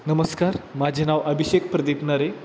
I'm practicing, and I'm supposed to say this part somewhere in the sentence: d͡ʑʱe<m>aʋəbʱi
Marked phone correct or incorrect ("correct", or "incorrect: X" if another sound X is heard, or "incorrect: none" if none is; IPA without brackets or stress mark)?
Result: incorrect: n